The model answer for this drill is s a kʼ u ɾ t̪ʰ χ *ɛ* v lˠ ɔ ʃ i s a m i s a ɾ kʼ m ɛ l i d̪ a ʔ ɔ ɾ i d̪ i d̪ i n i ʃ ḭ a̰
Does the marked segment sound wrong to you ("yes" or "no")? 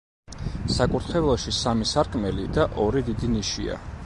no